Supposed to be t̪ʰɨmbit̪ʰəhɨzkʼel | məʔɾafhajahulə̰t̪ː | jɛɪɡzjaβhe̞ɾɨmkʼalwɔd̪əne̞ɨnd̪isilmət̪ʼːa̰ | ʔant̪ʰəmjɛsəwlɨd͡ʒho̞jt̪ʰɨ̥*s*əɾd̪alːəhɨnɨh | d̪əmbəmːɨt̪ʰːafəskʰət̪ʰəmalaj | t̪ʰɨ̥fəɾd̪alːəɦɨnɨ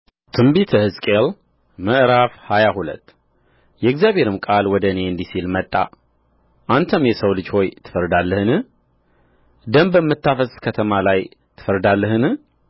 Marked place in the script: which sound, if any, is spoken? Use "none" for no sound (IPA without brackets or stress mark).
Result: f